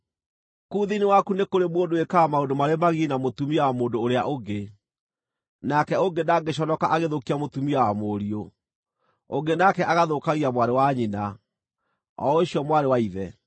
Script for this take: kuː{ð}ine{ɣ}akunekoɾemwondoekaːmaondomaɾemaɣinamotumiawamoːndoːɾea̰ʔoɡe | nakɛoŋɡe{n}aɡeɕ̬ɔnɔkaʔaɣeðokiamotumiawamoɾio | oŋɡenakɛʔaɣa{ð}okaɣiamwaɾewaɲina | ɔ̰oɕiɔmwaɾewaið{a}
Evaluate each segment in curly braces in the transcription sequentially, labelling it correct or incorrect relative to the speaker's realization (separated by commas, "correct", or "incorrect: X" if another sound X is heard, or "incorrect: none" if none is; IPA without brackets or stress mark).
correct, incorrect: w, correct, correct, incorrect: ɛ